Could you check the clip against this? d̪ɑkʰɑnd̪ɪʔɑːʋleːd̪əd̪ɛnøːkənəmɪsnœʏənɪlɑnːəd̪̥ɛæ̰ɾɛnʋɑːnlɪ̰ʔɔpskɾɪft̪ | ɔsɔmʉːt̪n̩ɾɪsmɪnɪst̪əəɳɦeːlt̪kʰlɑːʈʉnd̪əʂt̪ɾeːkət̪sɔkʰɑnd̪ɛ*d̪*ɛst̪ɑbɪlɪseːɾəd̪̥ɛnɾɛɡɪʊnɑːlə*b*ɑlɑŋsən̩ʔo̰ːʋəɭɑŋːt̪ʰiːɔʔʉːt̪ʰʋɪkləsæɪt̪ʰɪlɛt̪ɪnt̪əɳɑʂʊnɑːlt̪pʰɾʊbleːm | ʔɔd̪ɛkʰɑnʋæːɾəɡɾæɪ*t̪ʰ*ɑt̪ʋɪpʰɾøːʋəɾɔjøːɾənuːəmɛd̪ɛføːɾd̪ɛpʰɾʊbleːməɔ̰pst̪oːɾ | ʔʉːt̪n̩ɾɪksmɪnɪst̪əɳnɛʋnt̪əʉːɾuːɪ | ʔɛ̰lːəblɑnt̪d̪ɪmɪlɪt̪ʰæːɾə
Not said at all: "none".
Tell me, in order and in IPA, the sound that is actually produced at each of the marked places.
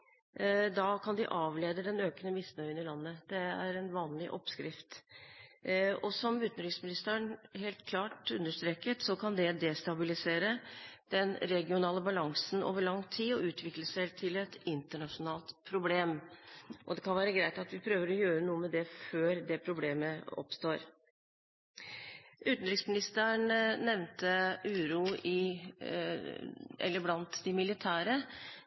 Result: d̪, b, t̪

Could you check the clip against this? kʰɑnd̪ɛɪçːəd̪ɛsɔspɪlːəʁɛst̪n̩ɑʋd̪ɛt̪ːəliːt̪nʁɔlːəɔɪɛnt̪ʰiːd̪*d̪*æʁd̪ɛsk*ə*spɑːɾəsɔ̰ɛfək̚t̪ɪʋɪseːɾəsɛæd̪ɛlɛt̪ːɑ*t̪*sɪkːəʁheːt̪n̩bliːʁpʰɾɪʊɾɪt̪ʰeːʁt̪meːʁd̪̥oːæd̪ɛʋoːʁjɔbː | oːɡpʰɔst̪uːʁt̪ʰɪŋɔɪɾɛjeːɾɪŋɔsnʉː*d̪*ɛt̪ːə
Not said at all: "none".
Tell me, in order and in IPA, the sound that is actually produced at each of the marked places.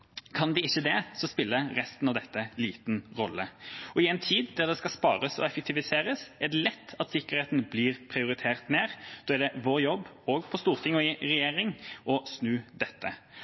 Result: d̪, ɑ, t̪, d̪

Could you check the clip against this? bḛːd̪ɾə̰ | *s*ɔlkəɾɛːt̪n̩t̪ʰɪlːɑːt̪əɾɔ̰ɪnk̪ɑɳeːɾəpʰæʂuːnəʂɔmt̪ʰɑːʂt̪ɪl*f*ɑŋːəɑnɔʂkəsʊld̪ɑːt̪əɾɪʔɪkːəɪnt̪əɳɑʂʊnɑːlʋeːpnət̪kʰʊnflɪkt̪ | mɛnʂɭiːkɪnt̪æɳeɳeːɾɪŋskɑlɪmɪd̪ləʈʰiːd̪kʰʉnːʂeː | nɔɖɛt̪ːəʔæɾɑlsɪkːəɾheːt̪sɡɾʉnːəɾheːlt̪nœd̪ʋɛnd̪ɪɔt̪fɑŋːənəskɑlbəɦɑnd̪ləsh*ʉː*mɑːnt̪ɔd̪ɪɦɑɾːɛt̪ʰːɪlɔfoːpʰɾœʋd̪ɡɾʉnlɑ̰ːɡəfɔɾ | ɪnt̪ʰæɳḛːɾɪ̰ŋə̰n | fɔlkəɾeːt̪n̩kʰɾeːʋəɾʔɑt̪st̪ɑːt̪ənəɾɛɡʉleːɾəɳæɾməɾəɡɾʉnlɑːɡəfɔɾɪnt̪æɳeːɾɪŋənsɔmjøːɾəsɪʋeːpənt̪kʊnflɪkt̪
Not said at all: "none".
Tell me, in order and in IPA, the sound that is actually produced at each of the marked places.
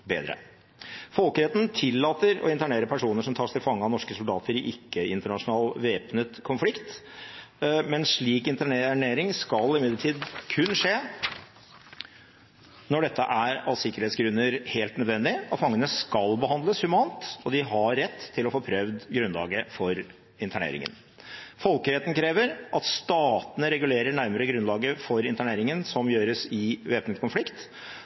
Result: f, f, ʉ

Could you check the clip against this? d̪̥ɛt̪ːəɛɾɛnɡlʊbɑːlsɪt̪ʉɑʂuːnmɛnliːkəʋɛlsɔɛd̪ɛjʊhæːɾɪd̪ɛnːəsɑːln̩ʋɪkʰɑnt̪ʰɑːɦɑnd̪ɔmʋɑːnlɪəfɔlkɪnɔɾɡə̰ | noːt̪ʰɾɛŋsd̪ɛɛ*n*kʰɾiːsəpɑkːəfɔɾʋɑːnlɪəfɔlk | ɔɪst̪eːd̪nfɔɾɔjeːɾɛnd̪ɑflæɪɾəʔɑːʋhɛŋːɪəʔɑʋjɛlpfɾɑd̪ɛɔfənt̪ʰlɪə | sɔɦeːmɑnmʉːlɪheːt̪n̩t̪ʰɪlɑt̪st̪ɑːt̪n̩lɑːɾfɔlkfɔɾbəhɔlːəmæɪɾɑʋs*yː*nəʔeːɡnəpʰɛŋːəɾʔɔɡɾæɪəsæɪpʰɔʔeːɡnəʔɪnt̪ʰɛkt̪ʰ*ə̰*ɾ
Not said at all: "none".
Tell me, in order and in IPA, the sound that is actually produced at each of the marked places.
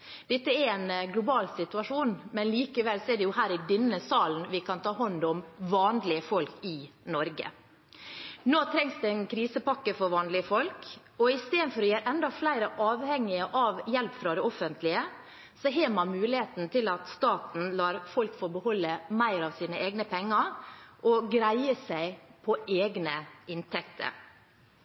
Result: n, iː, ə̰

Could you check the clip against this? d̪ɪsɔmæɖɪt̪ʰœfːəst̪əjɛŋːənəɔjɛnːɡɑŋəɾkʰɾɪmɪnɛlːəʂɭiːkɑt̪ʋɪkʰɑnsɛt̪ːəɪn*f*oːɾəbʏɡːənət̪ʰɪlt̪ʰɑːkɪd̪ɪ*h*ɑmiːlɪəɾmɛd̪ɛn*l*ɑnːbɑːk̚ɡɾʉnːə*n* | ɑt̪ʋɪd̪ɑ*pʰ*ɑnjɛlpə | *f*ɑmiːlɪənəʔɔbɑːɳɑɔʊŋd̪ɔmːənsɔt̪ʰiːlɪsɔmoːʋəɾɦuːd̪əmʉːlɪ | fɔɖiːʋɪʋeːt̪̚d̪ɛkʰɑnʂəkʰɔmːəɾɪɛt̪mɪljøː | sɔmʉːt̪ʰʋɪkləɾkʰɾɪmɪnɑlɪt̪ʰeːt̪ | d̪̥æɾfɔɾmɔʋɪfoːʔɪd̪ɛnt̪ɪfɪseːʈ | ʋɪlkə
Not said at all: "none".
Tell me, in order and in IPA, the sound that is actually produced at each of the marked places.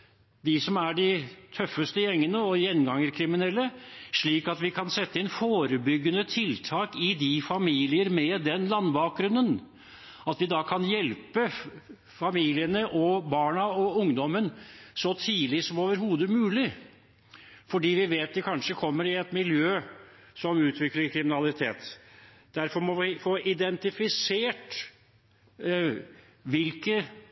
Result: f, f, l, n, kʰ, f

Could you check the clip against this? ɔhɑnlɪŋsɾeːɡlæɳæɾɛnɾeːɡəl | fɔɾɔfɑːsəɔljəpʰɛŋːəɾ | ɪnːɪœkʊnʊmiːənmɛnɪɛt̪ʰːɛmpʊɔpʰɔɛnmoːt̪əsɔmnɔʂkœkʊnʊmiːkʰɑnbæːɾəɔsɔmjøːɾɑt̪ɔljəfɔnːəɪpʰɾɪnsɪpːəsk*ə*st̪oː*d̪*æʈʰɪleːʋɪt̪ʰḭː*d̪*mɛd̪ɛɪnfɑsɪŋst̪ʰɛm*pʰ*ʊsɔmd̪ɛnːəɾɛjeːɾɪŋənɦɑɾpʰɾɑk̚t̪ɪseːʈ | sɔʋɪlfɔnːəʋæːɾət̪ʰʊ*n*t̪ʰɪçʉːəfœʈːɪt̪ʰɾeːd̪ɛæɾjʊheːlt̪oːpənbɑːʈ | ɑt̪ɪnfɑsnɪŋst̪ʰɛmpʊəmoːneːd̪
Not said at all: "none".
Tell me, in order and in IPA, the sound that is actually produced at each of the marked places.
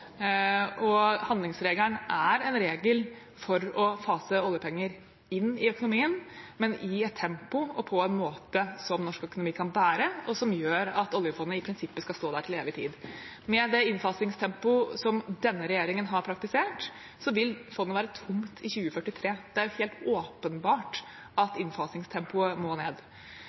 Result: ɑ, d̪, d̪, p, m

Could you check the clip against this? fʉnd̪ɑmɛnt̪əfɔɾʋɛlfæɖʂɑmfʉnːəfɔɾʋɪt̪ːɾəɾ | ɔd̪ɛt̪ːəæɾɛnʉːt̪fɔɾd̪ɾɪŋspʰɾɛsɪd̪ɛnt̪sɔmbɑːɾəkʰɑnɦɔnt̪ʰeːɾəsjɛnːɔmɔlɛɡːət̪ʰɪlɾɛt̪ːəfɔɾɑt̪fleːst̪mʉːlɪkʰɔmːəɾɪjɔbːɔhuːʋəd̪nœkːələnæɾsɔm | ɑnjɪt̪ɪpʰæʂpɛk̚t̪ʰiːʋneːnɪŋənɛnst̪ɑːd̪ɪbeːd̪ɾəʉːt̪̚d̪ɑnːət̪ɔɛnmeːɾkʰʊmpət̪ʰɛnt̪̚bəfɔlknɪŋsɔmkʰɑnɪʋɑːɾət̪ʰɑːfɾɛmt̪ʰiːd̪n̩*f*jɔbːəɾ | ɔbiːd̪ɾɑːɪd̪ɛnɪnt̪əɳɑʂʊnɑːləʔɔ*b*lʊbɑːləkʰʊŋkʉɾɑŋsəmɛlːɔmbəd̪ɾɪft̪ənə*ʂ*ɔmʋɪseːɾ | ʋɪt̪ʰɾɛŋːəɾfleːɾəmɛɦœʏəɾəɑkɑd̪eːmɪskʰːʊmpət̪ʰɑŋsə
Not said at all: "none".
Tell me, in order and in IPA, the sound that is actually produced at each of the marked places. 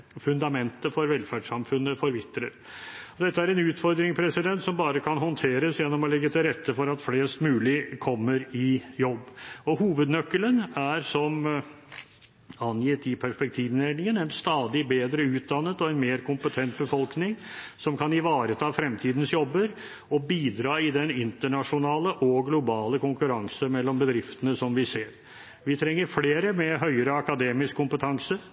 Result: s, ɡ, s

